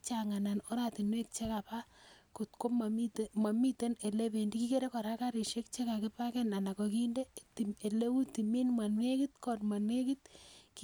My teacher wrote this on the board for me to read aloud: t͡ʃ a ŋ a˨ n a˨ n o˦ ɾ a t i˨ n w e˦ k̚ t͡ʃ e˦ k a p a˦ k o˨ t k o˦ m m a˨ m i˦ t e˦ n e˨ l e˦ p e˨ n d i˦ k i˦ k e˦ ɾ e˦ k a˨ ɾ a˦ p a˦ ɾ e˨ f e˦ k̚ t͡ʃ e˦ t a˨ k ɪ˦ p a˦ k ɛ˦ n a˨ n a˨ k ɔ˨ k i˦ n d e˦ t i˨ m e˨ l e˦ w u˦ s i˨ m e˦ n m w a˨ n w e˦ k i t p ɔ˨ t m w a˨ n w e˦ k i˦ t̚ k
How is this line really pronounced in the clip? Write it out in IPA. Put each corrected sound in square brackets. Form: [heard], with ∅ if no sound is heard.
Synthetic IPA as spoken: t͡ʃ a ŋ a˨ n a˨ n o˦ ɾ a t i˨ n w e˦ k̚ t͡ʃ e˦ k a p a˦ k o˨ t k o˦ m m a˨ m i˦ t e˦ n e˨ l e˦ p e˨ n d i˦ k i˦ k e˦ ɾ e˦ k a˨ ɾ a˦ [k] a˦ ɾ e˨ [ʃ] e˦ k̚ t͡ʃ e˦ [k] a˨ k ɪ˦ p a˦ k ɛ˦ n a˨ n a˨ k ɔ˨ k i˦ n d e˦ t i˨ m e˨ l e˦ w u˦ [t] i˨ m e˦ n m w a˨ n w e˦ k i t [k] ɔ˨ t m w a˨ n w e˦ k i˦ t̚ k

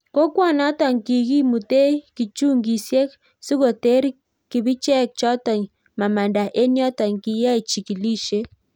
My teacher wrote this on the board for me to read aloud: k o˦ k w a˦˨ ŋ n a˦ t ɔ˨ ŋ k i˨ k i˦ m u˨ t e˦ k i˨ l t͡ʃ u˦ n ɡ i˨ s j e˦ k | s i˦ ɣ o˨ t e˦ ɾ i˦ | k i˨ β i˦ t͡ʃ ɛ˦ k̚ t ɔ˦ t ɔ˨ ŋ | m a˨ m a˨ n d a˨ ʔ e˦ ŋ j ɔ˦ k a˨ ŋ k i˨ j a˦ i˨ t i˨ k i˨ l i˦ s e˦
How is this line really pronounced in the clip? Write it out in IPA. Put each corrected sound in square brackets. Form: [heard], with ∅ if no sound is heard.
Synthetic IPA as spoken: k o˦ k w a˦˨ [∅] n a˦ t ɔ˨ ŋ k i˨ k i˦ m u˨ t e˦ k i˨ [∅] t͡ʃ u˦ [ŋ] ɡ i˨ s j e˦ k | s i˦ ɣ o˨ t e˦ ɾ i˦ | k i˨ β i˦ t͡ʃ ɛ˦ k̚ [t͡ʃ] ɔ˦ t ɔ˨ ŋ | m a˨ m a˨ n d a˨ ʔ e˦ [n] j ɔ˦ [t] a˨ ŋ k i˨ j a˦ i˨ [t͡ʃ] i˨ k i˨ l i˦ [ʃ] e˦

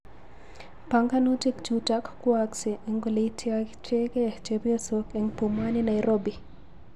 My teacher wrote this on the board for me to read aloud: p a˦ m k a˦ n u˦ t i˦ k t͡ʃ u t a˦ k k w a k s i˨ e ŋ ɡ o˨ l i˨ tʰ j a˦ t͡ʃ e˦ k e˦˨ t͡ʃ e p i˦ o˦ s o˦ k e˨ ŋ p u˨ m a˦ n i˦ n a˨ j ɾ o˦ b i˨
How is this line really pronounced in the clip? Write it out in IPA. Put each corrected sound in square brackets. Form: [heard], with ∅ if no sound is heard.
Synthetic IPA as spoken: p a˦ [ŋ] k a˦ n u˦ t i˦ k t͡ʃ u t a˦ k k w a k s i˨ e ŋ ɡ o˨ l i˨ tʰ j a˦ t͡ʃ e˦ k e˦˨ t͡ʃ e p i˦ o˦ s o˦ k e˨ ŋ p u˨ m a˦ n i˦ n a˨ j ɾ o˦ b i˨

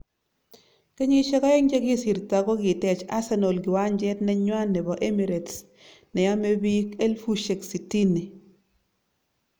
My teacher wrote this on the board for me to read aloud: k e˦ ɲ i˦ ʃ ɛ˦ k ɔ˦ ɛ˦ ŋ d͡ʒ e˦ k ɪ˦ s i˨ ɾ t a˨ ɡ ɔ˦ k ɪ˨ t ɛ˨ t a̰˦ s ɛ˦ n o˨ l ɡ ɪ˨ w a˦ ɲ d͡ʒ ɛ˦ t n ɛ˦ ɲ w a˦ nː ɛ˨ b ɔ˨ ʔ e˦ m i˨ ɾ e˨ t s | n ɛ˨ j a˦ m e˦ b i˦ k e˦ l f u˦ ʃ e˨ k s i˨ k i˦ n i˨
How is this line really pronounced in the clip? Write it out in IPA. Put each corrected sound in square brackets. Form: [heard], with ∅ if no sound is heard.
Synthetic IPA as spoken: k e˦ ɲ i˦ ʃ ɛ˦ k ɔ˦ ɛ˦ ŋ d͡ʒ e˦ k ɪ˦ s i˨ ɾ t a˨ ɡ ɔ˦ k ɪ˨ t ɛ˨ [t͡ʃ] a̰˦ s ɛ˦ n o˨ l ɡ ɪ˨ w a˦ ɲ d͡ʒ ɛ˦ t n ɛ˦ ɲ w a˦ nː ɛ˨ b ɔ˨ ʔ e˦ m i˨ ɾ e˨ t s | n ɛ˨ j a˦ m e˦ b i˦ k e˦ l f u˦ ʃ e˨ k s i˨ [t] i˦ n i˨

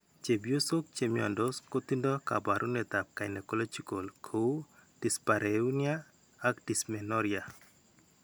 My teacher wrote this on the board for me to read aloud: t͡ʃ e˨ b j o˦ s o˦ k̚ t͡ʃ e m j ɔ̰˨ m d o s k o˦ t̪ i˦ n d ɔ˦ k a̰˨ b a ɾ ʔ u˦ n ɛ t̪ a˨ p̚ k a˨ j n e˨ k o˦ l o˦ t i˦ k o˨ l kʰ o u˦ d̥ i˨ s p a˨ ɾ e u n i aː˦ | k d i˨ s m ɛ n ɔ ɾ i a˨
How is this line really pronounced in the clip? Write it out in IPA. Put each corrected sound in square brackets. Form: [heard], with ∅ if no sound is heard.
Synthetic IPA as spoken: t͡ʃ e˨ b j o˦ s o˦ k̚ t͡ʃ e m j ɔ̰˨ [n] d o s k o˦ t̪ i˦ n d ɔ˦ k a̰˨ b a ɾ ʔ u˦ n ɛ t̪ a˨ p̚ k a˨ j n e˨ k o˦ l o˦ [t͡ʃ] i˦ k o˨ l kʰ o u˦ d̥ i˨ s p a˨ ɾ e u n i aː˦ | k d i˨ s m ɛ n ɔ ɾ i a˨

